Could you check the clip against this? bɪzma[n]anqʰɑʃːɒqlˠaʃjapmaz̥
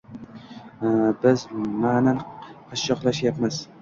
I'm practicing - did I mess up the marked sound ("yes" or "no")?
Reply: no